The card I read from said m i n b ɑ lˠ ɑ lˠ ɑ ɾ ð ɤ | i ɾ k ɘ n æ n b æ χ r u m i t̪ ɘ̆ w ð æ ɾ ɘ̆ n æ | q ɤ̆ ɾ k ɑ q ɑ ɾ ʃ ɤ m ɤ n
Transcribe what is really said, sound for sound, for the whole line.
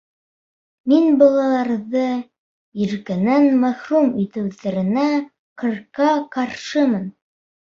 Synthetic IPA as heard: m i n b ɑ lˠ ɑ lˠ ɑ ɾ ð ɤ | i ɾ k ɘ n æ n m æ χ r u m i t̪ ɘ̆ w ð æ ɾ ɘ̆ n æ | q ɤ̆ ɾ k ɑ q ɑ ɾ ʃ ɤ m ɤ n